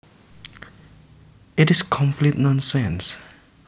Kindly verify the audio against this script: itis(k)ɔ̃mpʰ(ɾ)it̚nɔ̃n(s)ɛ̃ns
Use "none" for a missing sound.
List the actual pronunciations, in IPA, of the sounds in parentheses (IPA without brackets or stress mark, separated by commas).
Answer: kʰ, l, s